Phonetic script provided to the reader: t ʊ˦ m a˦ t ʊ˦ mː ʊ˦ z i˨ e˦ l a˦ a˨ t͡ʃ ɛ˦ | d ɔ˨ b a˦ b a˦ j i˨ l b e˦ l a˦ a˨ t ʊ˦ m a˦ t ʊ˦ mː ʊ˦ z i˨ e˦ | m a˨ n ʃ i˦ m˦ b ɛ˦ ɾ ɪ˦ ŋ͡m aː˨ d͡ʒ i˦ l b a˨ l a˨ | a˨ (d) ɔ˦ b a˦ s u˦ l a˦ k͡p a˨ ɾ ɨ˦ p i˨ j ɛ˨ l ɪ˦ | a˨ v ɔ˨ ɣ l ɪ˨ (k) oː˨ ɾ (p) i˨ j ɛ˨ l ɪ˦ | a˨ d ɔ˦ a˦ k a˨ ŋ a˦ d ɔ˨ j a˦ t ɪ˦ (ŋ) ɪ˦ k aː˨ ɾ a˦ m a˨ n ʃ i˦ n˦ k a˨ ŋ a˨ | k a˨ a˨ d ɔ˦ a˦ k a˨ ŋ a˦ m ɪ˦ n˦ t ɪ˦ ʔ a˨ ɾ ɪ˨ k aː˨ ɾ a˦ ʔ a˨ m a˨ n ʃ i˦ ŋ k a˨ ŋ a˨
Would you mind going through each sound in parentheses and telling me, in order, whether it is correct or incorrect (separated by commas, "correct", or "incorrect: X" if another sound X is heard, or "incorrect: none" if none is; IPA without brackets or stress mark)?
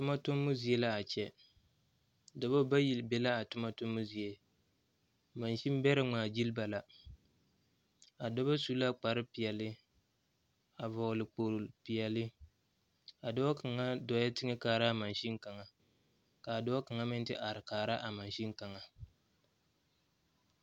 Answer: correct, incorrect: k͡p, correct, correct